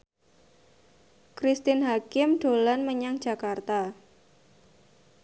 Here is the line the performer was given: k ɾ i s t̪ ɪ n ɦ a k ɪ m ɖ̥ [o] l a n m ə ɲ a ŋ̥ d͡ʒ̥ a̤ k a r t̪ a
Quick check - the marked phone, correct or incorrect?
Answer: correct